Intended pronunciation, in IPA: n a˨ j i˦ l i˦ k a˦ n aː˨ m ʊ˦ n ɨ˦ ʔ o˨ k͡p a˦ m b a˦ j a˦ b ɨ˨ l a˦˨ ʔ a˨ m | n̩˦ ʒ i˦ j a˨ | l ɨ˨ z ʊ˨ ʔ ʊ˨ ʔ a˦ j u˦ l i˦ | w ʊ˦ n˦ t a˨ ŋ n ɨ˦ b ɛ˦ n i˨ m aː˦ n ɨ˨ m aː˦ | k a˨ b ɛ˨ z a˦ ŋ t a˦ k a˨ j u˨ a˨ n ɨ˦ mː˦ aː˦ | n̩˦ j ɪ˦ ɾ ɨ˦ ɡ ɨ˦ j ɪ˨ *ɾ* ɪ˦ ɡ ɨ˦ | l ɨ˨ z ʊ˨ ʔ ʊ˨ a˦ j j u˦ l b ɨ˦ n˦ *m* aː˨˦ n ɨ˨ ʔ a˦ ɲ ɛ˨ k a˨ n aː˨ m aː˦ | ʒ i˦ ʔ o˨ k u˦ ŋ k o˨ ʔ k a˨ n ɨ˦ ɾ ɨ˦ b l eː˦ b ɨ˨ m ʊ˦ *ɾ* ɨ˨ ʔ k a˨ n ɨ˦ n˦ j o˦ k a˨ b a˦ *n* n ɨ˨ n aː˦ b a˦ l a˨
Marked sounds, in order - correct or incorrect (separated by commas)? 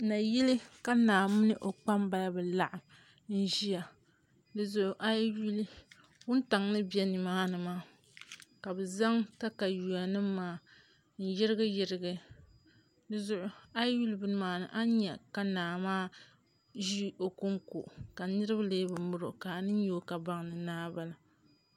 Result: correct, correct, correct, incorrect